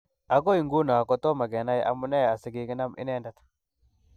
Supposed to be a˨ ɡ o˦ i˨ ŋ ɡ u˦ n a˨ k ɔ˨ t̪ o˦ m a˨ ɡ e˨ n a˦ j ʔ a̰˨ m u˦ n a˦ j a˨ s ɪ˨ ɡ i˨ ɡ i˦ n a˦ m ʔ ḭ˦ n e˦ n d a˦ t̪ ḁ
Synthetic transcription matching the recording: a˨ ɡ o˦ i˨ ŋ ɡ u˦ n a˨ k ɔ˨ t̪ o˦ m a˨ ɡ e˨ n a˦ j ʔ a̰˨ m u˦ n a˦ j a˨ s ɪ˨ ɡ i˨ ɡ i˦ n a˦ m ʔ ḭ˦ n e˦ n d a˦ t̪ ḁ